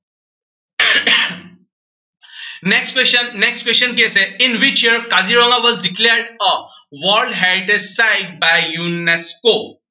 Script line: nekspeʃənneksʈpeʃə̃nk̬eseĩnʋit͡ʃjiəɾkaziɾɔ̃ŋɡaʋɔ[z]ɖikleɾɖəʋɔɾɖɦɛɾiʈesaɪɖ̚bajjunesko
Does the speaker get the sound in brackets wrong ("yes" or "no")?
no